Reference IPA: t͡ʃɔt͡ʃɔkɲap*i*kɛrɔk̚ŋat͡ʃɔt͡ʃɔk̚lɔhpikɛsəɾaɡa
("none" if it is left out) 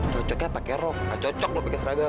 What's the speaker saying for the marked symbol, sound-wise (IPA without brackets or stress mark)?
a